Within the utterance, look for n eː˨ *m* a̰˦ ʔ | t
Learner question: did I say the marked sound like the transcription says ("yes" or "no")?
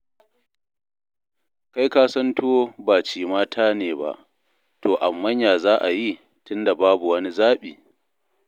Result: no